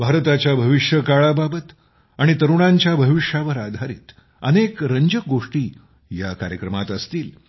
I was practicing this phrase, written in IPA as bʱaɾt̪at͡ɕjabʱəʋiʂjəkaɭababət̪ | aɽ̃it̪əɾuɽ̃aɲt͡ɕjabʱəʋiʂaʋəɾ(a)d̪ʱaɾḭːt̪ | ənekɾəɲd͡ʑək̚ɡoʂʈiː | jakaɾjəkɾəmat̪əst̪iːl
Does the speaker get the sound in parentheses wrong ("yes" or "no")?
no